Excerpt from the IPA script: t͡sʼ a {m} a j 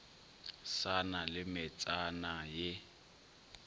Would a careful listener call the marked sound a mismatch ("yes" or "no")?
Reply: yes